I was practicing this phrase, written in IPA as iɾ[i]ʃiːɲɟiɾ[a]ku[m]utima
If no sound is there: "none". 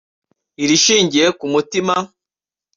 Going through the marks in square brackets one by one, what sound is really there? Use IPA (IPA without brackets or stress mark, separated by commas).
i, e, m